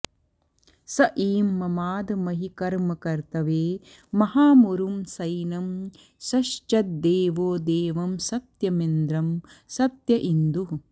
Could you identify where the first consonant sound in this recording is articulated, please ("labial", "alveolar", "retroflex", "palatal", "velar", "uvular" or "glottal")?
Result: alveolar